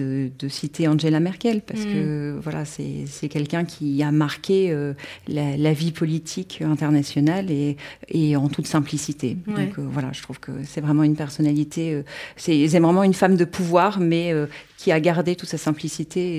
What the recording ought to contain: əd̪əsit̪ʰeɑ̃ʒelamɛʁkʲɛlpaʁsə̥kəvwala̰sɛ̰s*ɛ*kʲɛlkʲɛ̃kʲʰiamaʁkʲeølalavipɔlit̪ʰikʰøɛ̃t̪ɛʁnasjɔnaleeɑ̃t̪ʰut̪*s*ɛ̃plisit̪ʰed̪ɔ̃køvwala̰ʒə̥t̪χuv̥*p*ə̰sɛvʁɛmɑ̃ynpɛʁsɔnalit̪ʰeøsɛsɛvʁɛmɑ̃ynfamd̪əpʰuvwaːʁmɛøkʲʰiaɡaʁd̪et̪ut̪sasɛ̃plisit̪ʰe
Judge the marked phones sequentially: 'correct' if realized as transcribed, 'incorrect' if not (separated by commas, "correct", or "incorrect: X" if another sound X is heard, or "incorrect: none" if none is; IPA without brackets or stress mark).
correct, correct, incorrect: k